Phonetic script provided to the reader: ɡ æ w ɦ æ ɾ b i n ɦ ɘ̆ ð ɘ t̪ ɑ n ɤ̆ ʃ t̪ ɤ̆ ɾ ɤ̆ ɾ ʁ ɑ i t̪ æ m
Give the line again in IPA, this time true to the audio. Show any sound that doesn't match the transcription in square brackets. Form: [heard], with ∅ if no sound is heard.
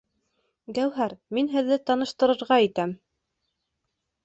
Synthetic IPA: ɡ æ w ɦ æ ɾ [m] i n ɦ ɘ̆ [ðː] ɘ t̪ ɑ n ɤ̆ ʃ t̪ ɤ̆ ɾ ɤ̆ ɾ ʁ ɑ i t̪ æ m